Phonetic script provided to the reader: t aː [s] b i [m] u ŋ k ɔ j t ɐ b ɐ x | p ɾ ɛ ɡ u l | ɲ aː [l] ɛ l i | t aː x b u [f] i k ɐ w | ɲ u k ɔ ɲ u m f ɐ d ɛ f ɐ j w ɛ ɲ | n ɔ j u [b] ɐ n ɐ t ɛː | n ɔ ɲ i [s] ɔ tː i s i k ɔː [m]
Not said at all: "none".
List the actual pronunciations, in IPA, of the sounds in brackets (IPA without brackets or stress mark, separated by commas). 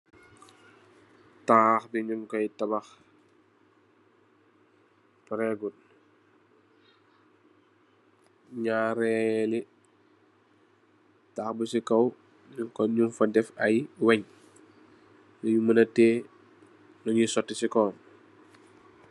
x, ɲ, ɾ, s, m, s, n